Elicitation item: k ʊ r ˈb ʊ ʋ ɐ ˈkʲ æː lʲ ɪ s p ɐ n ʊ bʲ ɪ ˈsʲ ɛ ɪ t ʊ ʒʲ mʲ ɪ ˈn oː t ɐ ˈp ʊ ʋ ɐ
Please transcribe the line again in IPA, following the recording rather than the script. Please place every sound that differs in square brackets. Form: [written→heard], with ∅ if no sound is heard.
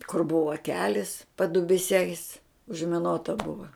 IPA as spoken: k ʊ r ˈb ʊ ʋ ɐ ˈkʲ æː lʲ ɪ s p ɐ [n→d] ʊ bʲ ɪ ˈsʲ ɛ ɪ [t→s] ʊ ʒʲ mʲ ɪ ˈn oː t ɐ [ˈp→ˈb] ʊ ʋ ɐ